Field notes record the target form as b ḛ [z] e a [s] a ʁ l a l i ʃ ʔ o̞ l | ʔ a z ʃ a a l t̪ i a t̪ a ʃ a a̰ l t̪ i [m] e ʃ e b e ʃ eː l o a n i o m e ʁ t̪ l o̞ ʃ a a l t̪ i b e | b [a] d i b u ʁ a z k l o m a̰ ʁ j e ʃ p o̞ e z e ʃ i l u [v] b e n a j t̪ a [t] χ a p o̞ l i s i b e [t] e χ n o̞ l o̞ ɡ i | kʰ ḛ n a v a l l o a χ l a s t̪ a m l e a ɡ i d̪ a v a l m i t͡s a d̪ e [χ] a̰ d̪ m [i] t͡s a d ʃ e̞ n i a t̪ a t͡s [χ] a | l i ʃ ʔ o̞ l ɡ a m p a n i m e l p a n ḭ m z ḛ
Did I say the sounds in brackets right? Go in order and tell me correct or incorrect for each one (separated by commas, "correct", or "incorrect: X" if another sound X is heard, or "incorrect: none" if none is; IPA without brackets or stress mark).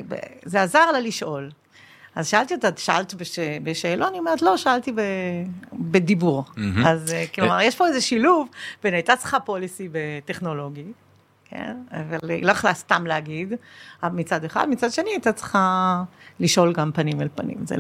correct, incorrect: z, incorrect: b, incorrect: e, correct, incorrect: t͡s, correct, correct, correct, correct